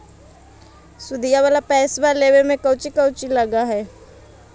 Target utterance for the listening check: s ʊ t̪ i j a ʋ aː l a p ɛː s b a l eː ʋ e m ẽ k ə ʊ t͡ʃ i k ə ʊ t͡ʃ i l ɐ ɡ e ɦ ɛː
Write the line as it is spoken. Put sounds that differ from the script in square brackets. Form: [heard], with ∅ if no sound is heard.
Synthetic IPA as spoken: s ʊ [d̪] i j a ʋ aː l a p ɛː s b a l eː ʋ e m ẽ k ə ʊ t͡ʃ i k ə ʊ t͡ʃ i l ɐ ɡ [a] ɦ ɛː

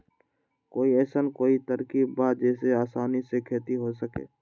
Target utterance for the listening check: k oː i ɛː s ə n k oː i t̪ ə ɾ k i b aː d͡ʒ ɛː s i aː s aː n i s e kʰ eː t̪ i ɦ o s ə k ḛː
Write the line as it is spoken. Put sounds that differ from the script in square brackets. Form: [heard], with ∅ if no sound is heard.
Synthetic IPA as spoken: k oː i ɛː s ə n k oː i t̪ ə ɾ k i b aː d͡ʒ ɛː s [e] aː s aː n i s e kʰ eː t̪ i ɦ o s ə k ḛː

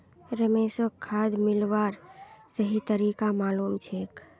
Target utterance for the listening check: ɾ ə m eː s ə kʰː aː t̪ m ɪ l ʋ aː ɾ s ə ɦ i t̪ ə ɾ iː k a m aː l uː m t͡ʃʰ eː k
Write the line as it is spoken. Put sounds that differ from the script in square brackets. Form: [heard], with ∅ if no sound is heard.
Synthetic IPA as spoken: ɾ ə m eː s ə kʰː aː [d̪] m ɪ l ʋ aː ɾ s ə ɦ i t̪ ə ɾ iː k a m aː l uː m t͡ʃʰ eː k

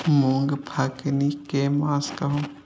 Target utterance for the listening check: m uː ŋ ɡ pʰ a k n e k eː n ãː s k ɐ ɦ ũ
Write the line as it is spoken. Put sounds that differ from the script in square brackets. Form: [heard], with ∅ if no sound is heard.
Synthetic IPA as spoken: m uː ŋ ɡ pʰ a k n [i] k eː [m] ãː s k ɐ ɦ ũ

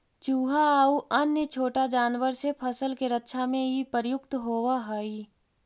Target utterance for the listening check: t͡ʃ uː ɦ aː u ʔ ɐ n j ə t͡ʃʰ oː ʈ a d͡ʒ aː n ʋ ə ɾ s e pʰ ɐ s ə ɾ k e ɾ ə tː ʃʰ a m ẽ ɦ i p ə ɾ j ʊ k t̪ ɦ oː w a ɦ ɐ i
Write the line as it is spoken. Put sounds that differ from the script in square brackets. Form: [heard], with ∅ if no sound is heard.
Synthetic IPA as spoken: t͡ʃ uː ɦ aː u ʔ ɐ n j ə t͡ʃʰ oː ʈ a d͡ʒ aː n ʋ ə ɾ s e pʰ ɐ s ə [l] k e ɾ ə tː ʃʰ a m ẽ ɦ i p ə ɾ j ʊ k t̪ ɦ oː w a ɦ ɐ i

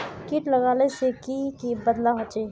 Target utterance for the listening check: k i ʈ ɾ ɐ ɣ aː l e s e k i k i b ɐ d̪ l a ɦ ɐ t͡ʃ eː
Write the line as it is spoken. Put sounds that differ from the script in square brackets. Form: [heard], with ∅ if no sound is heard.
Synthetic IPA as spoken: k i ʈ [l] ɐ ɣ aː l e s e k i k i b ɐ d̪ l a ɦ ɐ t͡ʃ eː

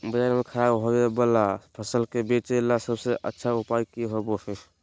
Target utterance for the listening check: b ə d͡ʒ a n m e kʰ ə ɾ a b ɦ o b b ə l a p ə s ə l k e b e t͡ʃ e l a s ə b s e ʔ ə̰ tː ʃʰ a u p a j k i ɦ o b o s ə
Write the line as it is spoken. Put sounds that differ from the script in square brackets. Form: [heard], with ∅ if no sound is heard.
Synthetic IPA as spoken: b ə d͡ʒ a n m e kʰ ə ɾ a b ɦ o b b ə l a [pʰ] ə s ə l k e b e t͡ʃ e l a s ə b s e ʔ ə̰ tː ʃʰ a u p a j k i ɦ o b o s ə

